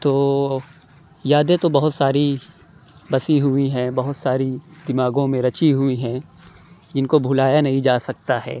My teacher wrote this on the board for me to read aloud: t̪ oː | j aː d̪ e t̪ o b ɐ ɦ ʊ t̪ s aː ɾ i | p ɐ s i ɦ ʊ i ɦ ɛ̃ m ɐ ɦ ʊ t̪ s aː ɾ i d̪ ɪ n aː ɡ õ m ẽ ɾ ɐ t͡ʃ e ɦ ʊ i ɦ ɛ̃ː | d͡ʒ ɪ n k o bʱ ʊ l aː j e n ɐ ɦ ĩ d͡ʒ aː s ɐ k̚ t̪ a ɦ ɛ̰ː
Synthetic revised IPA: t̪ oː | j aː d̪ e t̪ o b ɐ ɦ ʊ t̪ s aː ɾ i | b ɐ s i ɦ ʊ i ɦ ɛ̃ b ɐ ɦ ʊ t̪ s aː ɾ i d̪ ɪ m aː ɡ õ m ẽ ɾ ɐ t͡ʃ i ɦ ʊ i ɦ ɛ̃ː | d͡ʒ ɪ n k o bʱ ʊ l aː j a n ɐ ɦ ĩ d͡ʒ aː s ɐ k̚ t̪ a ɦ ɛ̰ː